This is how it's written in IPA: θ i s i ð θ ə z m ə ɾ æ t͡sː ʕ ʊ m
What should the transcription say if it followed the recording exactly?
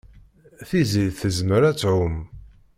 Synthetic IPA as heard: θ i z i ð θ ə z m ə ɾ æ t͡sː ʕ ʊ m